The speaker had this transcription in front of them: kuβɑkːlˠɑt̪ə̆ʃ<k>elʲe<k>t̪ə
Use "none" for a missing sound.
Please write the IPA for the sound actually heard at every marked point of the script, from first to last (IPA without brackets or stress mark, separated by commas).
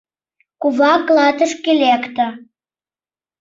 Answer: k, k